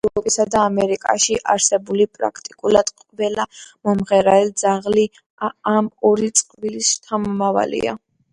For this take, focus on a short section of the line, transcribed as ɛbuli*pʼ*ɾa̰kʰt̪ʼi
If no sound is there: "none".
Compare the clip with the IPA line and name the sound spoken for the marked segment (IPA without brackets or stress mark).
pʼ